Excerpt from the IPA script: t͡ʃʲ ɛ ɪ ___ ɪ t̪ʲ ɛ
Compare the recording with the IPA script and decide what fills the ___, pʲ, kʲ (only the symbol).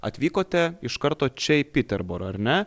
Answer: pʲ